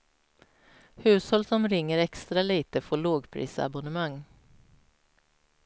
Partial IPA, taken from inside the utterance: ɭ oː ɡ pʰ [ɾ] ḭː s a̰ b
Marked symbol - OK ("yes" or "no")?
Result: yes